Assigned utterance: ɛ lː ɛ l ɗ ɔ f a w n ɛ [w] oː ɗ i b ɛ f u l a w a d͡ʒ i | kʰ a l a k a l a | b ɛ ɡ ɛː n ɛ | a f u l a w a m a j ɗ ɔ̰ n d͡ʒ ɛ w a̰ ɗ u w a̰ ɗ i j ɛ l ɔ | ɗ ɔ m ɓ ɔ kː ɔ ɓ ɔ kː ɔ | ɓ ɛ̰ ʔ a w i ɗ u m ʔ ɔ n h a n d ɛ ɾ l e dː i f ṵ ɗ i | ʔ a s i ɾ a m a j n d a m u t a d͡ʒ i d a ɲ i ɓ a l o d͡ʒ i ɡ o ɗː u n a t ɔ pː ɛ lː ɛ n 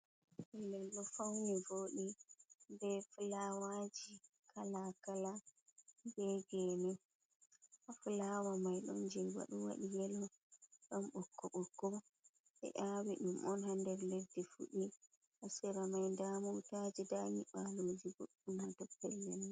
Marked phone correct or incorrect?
incorrect